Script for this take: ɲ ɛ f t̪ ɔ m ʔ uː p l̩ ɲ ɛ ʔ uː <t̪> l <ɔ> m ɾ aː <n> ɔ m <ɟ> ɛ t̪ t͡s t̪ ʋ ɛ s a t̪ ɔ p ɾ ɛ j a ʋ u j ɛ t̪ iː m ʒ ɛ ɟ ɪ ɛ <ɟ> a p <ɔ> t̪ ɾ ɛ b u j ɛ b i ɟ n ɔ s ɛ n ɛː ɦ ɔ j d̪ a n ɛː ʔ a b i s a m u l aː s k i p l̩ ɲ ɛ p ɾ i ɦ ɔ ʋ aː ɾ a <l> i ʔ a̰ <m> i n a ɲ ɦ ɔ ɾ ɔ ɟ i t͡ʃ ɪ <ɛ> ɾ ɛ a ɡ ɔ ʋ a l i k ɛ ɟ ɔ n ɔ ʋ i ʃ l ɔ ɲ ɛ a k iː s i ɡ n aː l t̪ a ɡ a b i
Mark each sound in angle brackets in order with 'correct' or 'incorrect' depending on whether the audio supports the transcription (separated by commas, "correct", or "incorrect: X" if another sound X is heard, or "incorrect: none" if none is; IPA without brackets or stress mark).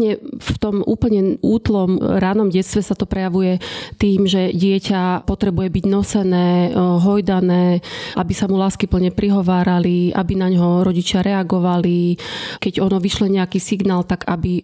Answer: correct, correct, correct, correct, incorrect: c, correct, correct, incorrect: b, incorrect: a